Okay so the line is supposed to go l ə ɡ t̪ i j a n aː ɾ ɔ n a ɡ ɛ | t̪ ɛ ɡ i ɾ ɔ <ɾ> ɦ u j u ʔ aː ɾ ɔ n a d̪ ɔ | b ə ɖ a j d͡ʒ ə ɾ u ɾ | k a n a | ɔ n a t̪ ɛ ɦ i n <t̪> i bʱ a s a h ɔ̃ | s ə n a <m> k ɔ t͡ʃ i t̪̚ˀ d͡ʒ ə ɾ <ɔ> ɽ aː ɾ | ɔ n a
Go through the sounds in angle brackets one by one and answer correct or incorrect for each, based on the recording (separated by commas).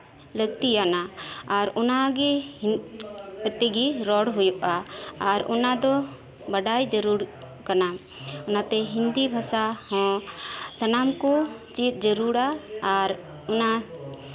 incorrect, incorrect, correct, incorrect